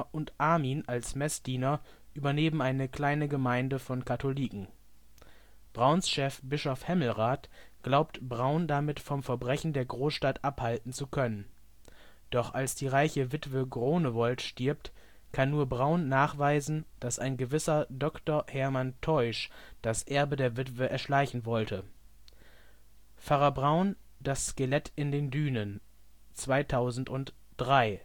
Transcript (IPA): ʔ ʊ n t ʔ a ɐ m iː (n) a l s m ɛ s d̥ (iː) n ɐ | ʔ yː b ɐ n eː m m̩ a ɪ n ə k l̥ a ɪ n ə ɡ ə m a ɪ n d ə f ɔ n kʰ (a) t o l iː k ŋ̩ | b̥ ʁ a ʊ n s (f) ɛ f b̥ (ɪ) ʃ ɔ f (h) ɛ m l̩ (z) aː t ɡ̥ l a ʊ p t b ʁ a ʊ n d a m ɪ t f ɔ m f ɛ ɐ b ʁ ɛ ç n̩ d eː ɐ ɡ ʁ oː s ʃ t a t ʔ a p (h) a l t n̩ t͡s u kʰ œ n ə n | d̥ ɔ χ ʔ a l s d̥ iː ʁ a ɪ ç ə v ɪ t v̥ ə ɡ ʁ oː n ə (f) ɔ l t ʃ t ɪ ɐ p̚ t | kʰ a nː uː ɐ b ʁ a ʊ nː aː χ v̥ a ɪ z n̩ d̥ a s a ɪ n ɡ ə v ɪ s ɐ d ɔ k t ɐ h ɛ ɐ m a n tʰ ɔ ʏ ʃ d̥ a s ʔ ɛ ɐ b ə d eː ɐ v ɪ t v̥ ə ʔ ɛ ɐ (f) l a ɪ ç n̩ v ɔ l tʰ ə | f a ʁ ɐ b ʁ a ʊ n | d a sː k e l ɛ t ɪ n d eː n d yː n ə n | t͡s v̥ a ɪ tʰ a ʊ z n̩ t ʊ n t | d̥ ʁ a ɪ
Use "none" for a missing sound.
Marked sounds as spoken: n, iː, a, ʃ, ɪ, h, ʁ, h, v, ʃ

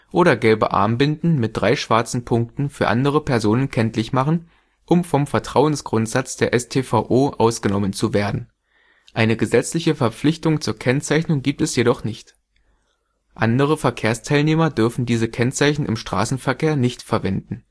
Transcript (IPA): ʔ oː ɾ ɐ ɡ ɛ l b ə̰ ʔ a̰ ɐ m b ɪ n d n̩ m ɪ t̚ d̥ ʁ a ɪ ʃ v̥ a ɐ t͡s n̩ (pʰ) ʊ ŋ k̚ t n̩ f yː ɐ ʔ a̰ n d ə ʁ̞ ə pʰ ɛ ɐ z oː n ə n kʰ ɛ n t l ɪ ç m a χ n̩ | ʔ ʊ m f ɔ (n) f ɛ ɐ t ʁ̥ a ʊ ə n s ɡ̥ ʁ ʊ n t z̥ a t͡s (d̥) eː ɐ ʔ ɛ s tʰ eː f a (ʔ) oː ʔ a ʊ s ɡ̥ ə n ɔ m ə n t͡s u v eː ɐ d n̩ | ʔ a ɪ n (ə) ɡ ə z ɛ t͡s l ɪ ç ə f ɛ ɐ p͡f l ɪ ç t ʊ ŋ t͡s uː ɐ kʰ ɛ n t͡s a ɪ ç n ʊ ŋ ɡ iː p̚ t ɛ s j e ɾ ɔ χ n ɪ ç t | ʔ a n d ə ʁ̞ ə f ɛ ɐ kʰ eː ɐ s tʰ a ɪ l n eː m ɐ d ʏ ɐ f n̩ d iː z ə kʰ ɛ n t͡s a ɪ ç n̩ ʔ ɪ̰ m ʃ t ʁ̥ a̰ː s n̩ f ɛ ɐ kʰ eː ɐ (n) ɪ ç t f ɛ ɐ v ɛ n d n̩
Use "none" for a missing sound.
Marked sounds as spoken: pʰ, m, d̥, ʔ, ə, n

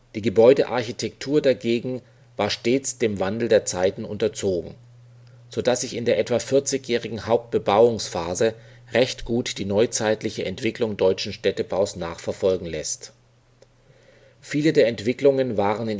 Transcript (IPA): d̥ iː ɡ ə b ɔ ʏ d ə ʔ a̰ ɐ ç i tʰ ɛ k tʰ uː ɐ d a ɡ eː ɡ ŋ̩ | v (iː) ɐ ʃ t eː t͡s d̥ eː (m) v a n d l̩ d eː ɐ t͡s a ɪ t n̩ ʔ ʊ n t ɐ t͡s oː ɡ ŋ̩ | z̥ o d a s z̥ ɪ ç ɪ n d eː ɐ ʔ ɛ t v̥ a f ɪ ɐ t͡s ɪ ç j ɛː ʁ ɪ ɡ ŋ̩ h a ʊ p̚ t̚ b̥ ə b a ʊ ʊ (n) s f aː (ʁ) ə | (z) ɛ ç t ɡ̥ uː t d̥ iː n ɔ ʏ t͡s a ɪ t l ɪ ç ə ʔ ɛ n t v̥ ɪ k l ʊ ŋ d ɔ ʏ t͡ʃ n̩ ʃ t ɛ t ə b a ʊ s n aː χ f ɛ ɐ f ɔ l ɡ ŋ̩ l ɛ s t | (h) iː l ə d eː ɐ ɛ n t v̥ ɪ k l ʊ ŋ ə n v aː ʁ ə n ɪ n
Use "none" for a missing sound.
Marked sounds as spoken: aː, m, ŋ, z, ʁ, f

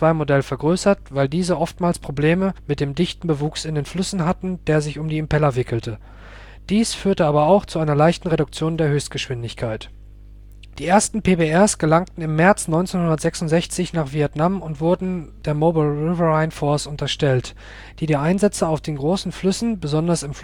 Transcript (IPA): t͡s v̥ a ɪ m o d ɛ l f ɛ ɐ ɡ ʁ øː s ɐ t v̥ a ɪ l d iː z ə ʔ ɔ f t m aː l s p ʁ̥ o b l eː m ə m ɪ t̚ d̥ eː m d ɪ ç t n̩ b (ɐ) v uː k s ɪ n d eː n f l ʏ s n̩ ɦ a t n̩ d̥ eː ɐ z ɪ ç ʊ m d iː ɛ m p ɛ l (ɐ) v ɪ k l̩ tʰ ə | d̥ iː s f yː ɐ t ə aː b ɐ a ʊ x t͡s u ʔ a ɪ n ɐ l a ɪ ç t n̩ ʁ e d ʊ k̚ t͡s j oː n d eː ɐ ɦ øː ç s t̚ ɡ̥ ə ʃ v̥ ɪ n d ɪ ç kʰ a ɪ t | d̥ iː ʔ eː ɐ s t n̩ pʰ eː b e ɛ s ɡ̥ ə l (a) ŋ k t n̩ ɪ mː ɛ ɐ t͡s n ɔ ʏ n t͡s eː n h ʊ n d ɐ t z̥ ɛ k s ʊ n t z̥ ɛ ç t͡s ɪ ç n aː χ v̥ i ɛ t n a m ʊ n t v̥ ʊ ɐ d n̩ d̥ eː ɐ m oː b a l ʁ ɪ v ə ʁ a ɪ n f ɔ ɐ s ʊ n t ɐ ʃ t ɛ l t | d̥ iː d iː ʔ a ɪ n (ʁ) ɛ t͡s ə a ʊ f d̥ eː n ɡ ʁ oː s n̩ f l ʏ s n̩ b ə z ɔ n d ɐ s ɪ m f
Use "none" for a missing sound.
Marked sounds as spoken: ə, ɐ, a, z

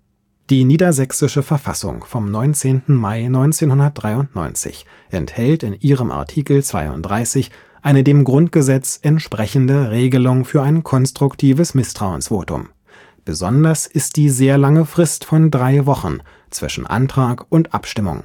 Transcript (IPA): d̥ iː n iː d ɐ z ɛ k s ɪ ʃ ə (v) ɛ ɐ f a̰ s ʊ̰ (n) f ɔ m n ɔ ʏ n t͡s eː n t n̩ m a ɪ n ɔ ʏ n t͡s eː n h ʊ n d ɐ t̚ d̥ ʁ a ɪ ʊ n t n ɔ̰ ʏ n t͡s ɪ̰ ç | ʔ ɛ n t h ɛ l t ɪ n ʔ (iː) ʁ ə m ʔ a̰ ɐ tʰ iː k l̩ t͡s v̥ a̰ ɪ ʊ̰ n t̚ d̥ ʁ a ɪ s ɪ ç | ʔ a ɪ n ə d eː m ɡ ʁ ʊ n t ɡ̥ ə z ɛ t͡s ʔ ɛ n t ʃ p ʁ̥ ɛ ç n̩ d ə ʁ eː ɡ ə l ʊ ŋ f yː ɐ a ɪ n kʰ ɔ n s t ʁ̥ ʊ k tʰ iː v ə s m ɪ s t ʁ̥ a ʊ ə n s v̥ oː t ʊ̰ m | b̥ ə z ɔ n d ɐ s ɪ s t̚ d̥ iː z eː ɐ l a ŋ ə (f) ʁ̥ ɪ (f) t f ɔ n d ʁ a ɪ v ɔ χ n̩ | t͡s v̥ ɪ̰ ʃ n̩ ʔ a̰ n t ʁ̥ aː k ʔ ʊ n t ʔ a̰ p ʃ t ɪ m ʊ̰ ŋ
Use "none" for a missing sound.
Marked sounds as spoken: f, ŋ, iː, f, s

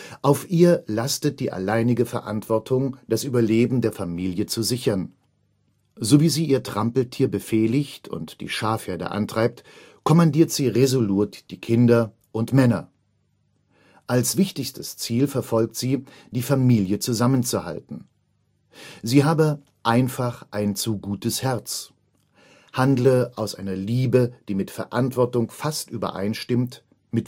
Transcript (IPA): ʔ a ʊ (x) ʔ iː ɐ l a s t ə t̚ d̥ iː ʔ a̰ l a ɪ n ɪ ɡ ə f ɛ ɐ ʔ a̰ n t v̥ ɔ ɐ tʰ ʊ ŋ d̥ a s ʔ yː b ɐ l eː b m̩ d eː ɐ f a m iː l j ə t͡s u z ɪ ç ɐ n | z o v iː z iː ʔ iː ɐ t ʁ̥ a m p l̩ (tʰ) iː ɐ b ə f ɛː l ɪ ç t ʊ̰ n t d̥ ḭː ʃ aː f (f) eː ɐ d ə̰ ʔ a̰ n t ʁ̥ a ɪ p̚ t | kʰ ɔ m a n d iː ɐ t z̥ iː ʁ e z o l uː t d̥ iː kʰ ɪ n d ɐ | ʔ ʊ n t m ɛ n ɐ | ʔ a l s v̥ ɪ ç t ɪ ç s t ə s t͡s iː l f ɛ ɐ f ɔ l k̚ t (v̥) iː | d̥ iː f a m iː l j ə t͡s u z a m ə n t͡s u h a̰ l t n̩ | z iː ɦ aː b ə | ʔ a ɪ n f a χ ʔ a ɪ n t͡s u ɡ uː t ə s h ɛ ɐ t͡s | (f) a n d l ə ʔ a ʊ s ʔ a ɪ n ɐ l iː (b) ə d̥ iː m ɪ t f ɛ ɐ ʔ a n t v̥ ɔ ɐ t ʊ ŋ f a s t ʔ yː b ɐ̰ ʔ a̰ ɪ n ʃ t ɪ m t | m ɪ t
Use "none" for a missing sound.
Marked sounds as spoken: f, tʰ, h, z̥, h, b

